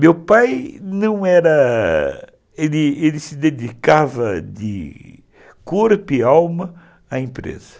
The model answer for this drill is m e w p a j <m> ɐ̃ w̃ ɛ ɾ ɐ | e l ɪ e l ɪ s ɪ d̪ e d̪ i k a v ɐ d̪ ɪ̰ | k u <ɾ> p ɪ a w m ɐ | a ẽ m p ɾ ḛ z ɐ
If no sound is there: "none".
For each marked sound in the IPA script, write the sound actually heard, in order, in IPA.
n, ɾ

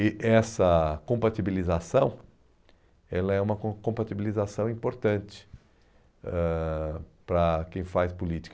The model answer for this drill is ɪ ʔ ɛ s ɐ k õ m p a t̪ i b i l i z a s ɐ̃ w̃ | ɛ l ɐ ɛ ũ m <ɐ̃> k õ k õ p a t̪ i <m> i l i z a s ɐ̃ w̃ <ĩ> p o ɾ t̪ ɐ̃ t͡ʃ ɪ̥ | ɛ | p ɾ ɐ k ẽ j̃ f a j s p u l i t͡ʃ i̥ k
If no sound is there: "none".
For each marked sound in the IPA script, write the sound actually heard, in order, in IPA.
ɐ, b, ĩ

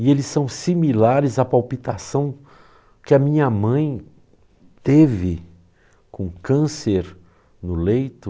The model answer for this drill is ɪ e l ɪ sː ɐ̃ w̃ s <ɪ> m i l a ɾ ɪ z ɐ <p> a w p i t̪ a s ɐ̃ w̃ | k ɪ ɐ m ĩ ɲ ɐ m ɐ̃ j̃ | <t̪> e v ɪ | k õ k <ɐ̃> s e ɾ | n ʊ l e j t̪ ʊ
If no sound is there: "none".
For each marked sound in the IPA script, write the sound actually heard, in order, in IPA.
i, p, t̪, ɐ̃

